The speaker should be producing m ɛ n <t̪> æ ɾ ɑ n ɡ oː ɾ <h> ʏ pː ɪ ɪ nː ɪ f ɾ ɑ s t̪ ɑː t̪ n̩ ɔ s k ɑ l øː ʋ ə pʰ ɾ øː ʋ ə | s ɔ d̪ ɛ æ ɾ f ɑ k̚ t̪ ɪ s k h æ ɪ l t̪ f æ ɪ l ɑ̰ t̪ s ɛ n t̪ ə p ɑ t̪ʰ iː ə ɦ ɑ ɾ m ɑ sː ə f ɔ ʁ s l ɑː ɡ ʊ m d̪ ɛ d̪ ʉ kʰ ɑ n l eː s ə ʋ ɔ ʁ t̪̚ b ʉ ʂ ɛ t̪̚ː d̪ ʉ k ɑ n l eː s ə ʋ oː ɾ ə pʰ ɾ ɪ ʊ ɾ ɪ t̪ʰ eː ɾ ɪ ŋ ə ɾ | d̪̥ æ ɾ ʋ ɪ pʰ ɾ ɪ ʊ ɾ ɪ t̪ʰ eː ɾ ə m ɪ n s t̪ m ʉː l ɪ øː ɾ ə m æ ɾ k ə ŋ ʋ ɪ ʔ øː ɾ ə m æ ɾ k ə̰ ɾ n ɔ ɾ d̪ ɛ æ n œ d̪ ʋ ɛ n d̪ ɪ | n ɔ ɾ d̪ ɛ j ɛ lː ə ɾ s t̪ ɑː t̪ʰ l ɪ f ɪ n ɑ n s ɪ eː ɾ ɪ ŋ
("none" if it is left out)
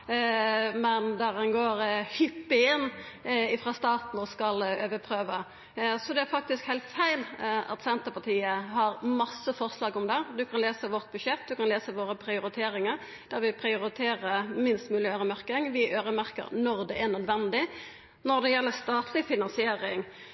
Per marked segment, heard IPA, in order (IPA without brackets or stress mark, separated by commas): d̪, h